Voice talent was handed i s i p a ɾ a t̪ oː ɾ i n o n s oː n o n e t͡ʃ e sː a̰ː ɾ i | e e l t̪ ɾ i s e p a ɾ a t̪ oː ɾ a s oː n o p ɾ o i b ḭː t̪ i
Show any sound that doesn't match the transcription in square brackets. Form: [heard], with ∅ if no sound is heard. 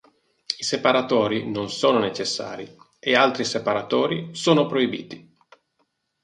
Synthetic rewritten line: i s [e] p a ɾ a t̪ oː ɾ i n o n s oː n o n e t͡ʃ e sː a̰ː ɾ i | e [a] l t̪ ɾ i s e p a ɾ a t̪ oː ɾ [i] s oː n o p ɾ o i b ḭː t̪ i

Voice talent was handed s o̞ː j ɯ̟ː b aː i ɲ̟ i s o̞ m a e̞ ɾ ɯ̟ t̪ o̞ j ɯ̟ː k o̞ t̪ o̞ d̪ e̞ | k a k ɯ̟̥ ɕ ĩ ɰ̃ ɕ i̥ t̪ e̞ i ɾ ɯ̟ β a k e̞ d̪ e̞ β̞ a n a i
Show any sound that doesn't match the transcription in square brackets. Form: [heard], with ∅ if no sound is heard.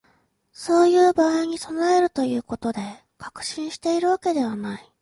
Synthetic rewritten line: s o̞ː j ɯ̟ː b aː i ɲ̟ i s o̞ [n] a e̞ ɾ ɯ̟ t̪ o̞ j ɯ̟ː k o̞ t̪ o̞ d̪ e̞ | k a k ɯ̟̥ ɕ ĩ ɰ̃ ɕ i̥ t̪ e̞ i ɾ ɯ̟ β a k e̞ d̪ e̞ β̞ a n a i

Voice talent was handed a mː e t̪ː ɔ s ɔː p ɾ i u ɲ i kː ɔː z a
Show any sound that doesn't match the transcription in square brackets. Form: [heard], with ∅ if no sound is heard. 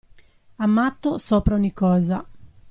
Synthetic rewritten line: a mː [a] t̪ː [o] s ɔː p ɾ [a] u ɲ i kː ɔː z a

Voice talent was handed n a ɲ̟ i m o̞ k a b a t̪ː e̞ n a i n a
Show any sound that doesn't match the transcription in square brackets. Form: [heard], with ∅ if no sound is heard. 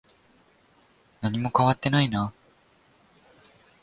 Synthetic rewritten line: n a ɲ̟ i m o̞ k a [β] a t̪ː e̞ n a i n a

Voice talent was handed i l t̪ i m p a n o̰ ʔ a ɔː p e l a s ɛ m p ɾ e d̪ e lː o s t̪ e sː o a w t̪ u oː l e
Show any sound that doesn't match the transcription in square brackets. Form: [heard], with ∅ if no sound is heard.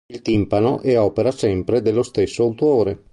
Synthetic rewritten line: i l t̪ i m p a n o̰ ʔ [ɛ] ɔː p e [ɾ] a s ɛ m p ɾ e d̪ e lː o s t̪ e sː o a w t̪ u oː [ɾ] e

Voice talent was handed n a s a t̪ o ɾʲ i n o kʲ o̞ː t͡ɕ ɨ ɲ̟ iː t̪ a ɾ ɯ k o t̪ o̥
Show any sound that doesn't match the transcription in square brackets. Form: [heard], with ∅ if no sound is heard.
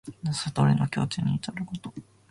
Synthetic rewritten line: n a s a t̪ o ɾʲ i n o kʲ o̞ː t͡ɕ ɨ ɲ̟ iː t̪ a ɾ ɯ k o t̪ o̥

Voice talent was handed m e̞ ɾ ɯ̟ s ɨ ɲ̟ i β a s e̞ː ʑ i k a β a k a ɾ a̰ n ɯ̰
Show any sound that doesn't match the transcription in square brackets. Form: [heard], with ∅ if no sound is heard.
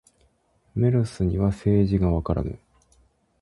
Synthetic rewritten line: m e̞ ɾ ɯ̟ s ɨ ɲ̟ i β a s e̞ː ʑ i [ɡ] a β a k a ɾ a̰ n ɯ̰

